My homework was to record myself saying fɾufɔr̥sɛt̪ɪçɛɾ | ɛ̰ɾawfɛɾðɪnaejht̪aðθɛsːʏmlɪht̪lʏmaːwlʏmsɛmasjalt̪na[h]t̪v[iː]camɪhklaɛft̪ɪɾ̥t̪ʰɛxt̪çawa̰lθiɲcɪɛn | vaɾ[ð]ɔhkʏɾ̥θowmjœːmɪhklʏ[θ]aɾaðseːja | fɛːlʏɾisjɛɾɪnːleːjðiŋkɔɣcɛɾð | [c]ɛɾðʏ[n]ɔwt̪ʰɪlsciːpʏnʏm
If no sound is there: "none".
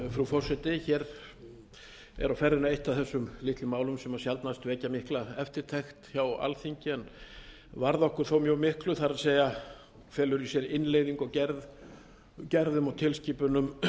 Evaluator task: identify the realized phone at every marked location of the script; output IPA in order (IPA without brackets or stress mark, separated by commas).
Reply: s, ɛː, ð, θ, c, m